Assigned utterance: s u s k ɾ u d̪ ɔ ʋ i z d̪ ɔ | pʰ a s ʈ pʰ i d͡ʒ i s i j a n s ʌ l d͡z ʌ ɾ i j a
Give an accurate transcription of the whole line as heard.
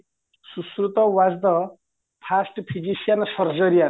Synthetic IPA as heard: s u s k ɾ u t̪ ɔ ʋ a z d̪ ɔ | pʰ a s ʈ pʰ i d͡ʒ i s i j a n s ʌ ɾ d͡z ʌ ɾ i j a

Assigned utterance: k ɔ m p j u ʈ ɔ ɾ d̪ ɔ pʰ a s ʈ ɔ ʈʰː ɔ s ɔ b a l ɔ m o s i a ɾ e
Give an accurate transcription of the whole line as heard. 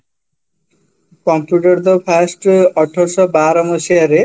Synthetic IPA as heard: k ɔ m p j u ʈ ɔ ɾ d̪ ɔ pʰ a s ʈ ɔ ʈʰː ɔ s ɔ b a ɾ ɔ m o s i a ɾ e

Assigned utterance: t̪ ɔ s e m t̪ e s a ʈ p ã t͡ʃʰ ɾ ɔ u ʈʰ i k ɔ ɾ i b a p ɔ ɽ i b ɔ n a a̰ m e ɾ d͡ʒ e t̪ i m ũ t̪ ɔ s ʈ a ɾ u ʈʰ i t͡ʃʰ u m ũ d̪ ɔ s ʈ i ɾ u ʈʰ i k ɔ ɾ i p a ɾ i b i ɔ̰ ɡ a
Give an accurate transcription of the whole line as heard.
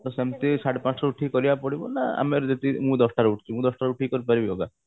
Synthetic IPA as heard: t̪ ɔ s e m t̪ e s a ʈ p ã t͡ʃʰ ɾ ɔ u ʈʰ i k ɔ ɾ i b a p ɔ ɽ i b ɔ n a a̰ m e ɾ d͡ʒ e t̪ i m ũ d̪ ɔ s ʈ a ɾ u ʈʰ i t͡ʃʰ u m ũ d̪ ɔ s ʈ a ɾ u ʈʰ i k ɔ ɾ i p a ɾ i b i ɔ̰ ɡ a

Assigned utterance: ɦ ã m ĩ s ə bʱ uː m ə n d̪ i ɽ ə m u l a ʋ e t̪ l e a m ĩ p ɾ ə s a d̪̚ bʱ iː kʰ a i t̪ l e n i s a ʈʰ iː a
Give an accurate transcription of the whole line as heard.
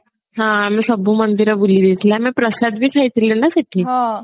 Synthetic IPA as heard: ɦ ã m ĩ s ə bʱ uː m ə n d̪ i ɾ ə b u l i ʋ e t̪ l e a m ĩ p ɾ ə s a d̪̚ bʱ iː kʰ a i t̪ l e n a s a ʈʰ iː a

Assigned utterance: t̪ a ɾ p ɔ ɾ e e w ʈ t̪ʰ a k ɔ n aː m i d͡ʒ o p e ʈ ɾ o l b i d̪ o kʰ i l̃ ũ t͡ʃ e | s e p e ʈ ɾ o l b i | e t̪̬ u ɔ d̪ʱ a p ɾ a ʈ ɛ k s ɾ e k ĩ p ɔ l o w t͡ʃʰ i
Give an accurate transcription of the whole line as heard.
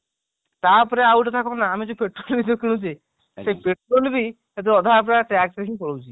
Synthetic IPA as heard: t̪ a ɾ p ɔ ɾ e a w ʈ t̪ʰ a k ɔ n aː m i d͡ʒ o p e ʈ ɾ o l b i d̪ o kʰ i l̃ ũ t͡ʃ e | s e p e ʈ ɾ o l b i | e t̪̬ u ɔ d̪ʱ a p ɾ a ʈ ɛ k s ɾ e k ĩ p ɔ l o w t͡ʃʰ i

